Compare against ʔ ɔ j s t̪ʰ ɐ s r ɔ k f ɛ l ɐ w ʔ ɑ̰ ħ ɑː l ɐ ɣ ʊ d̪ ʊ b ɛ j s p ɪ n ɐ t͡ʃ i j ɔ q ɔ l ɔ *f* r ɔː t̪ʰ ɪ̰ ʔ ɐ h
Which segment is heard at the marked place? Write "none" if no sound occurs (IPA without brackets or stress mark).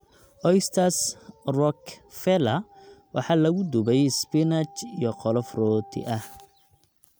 f